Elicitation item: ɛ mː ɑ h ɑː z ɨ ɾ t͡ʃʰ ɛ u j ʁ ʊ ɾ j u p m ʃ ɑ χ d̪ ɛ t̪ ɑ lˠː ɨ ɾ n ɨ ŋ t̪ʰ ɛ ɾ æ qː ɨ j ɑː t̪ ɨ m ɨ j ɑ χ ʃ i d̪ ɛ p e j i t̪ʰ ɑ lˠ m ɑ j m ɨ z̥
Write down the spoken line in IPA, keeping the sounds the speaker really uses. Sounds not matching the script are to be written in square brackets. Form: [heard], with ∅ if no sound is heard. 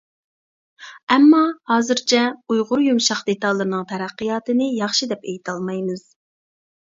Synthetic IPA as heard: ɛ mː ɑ h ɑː z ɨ ɾ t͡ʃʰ ɛ u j ʁ ʊ ɾ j u [∅] m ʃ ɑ χ d̪ [e] t̪ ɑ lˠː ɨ ɾ n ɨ ŋ t̪ʰ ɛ ɾ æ qː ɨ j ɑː t̪ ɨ [n] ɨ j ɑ χ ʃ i d̪ ɛ p e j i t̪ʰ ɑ lˠ m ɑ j m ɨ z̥